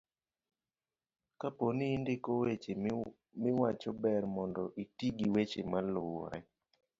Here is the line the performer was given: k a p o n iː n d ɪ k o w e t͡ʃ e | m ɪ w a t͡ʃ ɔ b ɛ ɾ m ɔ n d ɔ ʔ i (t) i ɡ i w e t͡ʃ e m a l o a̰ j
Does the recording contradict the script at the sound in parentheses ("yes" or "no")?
no